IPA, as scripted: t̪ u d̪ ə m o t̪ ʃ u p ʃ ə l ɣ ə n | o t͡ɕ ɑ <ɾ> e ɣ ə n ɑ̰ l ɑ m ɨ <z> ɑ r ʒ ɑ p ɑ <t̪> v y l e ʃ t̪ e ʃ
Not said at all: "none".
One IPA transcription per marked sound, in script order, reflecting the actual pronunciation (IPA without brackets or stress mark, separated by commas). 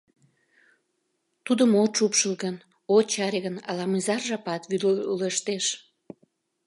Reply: ɾ, z, t̪